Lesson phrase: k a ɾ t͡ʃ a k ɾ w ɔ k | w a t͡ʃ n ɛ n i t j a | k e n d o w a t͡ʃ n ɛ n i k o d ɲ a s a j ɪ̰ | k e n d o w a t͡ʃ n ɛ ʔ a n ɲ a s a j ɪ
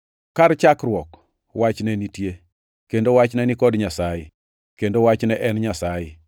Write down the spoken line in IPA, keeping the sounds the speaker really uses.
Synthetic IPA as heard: k a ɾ t͡ʃ a k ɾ w ɔ k | w a t͡ʃ n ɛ n i t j e | k e n d o w a t͡ʃ n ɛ n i k ɔ d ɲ a s a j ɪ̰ | k e n d o w a t͡ʃ n ɛ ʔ ɛ n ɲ a s a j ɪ